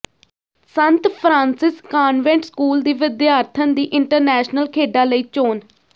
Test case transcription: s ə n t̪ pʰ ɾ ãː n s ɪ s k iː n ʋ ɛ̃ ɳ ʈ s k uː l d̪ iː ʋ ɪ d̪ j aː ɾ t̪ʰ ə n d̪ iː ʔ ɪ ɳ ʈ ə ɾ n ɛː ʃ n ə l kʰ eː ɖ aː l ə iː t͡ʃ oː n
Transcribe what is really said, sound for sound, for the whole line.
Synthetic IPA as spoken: s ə n t̪ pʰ ɾ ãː n s ɪ s k aː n ʋ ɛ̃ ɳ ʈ s k uː l d̪ iː ʋ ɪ d̪ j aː ɾ t̪ʰ ə n d̪ iː ʔ ɪ ɳ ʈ ə ɾ n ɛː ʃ n ə l kʰ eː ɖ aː l ə iː t͡ʃ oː n